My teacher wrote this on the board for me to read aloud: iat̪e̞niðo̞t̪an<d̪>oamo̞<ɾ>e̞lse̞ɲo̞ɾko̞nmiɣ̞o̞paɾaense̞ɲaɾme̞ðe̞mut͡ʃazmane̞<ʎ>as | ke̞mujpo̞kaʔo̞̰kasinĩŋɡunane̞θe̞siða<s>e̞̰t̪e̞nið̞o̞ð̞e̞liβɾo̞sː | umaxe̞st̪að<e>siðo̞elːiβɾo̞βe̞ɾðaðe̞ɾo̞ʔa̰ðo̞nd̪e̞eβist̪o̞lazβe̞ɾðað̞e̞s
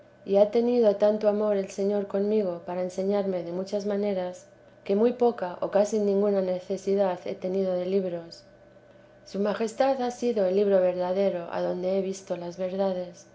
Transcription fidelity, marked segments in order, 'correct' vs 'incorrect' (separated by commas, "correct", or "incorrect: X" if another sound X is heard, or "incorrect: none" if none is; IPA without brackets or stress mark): incorrect: t̪, correct, incorrect: ɾ, incorrect: θ, incorrect: a